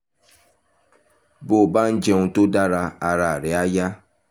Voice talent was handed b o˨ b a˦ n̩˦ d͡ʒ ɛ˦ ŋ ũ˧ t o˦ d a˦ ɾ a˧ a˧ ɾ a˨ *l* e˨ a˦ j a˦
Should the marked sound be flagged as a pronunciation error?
yes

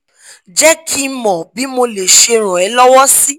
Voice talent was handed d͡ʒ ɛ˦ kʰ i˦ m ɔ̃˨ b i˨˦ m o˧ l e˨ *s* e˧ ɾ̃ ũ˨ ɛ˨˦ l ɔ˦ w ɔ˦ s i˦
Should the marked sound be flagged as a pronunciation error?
yes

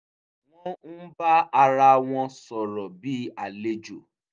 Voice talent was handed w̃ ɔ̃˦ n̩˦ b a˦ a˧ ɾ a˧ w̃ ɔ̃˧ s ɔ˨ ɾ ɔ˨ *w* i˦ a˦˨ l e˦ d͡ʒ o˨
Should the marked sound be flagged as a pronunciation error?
yes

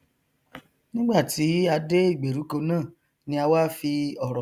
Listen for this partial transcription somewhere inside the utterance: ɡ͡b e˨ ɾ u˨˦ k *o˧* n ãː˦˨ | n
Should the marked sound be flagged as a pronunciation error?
no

